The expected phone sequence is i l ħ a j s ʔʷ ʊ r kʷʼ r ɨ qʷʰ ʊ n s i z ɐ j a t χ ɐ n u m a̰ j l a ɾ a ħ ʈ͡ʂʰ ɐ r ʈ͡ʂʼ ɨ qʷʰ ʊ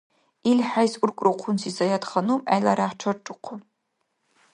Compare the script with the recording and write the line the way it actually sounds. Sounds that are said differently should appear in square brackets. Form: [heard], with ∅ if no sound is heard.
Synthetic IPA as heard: i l ħ a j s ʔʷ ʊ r kʷʼ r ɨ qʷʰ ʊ n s i z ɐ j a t χ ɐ n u m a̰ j l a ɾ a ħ ʈ͡ʂʰ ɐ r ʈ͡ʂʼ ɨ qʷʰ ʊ